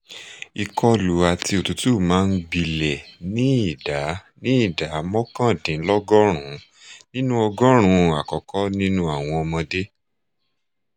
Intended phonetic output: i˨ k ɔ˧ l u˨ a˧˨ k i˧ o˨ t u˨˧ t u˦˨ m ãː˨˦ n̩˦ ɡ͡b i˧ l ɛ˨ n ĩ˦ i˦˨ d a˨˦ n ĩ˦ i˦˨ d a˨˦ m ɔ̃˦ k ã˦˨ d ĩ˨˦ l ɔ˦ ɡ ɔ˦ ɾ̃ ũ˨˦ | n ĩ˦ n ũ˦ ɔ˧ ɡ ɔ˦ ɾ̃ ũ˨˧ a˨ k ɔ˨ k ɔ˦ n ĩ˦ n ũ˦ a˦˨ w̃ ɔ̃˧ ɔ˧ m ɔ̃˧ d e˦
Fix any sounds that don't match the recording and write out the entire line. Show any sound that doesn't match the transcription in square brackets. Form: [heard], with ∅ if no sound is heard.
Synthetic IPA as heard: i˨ k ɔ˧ l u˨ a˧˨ [t] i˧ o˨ t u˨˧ t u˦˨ m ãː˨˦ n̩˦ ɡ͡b i˧ l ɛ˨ n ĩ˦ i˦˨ d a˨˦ n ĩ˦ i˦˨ d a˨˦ m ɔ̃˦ k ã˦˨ d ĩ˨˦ l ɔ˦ ɡ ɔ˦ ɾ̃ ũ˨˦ | n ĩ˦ n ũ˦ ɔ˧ ɡ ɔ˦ ɾ̃ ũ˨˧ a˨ k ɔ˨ k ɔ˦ n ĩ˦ n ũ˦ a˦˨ w̃ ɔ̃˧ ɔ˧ m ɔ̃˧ d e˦